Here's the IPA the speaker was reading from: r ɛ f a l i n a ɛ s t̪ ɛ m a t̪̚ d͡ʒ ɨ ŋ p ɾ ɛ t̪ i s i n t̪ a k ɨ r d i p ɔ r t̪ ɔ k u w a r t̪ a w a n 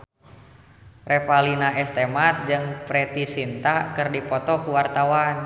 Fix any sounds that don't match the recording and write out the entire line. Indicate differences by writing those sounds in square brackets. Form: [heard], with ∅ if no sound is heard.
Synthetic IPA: r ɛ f a l i n a ɛ s t̪ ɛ m a t̪̚ d͡ʒ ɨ ŋ p ɾ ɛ t̪ i s i n t̪ a k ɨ r d i p ɔ [∅] t̪ ɔ k u w a r t̪ a w a n